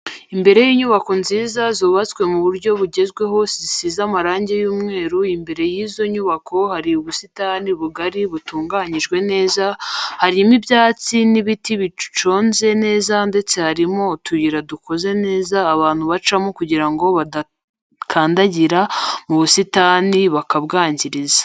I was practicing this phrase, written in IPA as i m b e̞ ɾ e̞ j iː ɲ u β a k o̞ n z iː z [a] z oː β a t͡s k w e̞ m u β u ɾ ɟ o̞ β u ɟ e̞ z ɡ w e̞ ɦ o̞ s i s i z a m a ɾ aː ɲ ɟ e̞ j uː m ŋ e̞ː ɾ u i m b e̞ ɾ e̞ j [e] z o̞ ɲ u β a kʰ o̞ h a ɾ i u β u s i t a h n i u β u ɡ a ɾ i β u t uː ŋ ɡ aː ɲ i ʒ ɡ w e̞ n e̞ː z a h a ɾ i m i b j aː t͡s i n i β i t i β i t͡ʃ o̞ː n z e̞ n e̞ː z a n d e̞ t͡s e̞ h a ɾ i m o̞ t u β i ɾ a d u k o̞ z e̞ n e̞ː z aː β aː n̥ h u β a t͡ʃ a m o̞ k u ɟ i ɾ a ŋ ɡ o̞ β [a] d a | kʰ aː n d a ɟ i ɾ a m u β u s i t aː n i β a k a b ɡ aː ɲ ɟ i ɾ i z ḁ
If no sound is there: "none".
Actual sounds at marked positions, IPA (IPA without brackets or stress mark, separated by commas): a, i, a